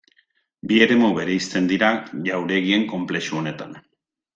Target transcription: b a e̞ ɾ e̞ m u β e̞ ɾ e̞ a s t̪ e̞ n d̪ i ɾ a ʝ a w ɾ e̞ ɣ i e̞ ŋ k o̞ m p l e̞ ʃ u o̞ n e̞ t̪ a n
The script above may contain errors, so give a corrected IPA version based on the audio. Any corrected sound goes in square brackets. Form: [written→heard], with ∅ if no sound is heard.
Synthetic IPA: b [a→i] e̞ ɾ e̞ m u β e̞ ɾ e̞ [a→i] s t̪ e̞ n d̪ i ɾ a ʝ a w ɾ e̞ ɣ i e̞ ŋ k o̞ m p l e̞ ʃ u o̞ n e̞ t̪ a n